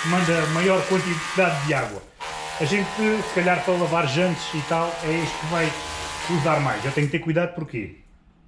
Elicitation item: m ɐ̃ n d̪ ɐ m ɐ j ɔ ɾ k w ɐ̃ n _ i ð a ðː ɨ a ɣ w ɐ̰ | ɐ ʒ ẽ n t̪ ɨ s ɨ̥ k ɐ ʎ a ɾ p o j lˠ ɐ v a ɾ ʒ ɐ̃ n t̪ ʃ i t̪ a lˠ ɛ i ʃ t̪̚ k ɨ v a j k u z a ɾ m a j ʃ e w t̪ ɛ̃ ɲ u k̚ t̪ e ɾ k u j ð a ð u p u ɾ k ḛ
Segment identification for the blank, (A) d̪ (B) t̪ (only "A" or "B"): B